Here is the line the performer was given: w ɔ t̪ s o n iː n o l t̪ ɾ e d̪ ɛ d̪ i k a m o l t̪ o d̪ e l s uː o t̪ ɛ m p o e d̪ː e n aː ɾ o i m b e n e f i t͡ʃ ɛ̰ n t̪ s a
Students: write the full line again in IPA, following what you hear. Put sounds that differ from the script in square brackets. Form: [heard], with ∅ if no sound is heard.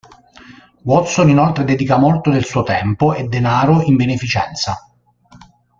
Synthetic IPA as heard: w ɔ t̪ s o n [i] n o l t̪ ɾ e d̪ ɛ d̪ i k a m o l t̪ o d̪ e l s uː o t̪ ɛ m p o e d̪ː e n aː ɾ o i m b e n e f i t͡ʃ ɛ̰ n t̪ s a